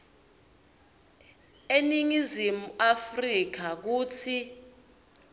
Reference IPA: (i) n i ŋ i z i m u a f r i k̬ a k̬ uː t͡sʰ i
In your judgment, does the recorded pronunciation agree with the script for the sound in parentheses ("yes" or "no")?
no